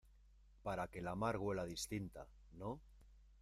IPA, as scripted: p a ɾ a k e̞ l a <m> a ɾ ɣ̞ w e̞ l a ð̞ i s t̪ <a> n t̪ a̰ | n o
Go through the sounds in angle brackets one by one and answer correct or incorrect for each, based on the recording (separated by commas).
correct, incorrect